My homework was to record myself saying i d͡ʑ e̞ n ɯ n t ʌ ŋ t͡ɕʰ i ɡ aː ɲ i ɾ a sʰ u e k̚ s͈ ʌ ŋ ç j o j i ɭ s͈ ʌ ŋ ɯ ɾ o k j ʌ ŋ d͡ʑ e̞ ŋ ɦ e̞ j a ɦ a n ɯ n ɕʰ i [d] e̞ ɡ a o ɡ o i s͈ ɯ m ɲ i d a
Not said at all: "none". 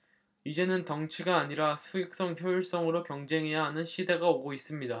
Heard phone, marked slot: d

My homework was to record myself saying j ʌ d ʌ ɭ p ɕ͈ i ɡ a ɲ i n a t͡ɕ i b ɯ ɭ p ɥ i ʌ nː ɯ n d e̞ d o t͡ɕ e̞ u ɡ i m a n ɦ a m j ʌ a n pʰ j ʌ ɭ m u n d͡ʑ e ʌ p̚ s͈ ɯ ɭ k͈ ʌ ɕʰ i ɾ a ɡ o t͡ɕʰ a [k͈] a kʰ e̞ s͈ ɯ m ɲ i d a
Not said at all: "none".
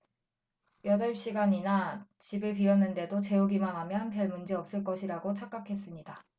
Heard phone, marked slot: k͈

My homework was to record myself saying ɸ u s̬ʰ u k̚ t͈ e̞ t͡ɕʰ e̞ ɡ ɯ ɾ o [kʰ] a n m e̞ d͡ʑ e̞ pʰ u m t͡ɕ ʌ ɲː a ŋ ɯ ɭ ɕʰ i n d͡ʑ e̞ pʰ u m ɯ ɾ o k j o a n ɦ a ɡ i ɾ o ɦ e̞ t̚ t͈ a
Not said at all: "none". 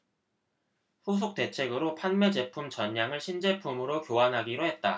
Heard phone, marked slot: pʰ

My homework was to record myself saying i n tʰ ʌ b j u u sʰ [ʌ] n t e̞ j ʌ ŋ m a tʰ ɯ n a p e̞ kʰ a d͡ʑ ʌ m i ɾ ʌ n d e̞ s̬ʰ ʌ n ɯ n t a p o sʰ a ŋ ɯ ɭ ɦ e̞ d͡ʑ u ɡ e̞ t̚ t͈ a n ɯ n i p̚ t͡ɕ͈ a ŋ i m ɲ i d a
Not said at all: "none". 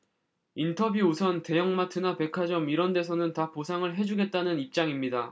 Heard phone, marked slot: ʌ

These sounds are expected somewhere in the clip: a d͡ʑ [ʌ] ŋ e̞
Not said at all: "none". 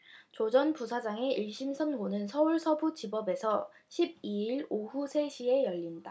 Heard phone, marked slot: a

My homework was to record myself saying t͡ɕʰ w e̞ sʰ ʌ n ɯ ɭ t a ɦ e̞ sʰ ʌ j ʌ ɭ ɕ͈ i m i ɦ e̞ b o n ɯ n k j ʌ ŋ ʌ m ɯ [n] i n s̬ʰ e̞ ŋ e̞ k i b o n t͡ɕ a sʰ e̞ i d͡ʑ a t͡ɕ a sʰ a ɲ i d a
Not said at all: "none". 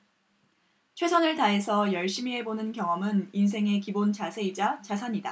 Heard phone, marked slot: n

